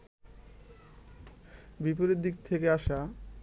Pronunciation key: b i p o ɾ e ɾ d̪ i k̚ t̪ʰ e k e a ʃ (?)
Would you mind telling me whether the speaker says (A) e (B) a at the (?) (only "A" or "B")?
B